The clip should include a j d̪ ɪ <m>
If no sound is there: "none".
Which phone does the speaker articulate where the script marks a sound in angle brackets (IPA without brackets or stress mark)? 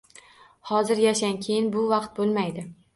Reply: none